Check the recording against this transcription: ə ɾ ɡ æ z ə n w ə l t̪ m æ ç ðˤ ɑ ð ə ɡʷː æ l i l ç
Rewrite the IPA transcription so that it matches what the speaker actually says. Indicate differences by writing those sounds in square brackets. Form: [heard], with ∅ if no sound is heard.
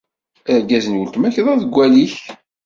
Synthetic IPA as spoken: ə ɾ ɡ æ z ə n w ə l t̪ m æ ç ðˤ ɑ ð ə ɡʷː æ l i [∅] ç

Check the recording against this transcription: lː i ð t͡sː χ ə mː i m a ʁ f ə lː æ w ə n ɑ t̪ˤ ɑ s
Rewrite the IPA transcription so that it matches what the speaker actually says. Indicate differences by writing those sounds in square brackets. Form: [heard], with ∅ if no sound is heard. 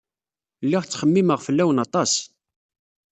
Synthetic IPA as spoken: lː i [ʁ] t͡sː χ ə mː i m [ə] ʁ f ə lː æ w ə n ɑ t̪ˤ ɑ s

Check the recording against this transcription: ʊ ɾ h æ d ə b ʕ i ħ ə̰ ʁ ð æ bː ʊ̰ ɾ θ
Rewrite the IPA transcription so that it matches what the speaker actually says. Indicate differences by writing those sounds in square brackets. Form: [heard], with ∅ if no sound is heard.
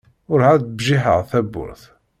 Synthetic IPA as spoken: ʊ ɾ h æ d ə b [ʒ] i ħ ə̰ ʁ [θ] æ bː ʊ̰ ɾ θ

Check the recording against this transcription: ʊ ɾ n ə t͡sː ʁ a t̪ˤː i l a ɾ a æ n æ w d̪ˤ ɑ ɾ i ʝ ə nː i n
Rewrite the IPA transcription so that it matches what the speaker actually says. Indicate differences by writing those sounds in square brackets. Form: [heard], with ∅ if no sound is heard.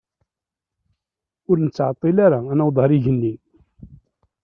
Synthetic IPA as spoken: ʊ ɾ n ə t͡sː [ʕ] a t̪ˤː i l a ɾ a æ n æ w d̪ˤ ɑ ɾ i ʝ ə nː i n

